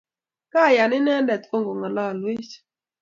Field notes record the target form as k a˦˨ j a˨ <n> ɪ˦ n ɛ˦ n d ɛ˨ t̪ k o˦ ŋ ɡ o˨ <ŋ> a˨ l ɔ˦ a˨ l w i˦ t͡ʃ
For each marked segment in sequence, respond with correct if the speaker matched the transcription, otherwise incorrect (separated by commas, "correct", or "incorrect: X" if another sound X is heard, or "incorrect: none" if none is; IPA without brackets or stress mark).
correct, correct